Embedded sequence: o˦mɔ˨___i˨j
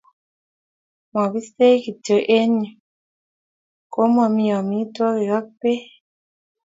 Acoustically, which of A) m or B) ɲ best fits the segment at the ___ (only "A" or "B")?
A